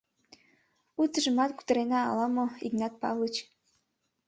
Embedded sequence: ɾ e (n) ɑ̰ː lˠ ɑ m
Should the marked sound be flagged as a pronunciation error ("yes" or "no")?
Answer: no